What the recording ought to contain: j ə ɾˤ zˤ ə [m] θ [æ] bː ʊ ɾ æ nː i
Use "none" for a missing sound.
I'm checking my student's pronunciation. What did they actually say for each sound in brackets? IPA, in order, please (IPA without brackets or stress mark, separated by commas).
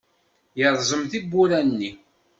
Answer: m, i